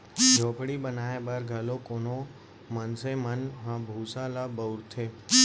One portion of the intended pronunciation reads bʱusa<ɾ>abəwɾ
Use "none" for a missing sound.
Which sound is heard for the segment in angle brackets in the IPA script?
l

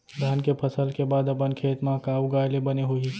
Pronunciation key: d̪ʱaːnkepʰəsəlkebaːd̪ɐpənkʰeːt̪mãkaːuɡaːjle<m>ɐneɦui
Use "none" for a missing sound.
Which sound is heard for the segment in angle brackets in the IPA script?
b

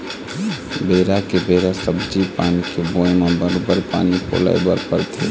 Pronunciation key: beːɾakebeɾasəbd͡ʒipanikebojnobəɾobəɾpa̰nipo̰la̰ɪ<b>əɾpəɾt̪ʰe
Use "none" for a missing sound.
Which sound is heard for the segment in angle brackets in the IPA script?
b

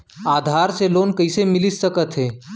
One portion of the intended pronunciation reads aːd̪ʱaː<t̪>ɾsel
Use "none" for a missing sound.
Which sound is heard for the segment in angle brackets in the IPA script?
none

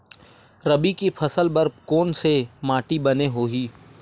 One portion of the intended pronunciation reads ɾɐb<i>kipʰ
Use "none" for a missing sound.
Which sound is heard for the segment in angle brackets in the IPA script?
i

